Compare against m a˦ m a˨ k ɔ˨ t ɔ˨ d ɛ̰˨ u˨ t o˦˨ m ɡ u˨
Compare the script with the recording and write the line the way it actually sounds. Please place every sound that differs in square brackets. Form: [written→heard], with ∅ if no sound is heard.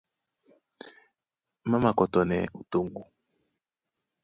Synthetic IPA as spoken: m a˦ m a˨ k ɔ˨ t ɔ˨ [d→n] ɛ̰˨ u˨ t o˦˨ [m→ŋ] ɡ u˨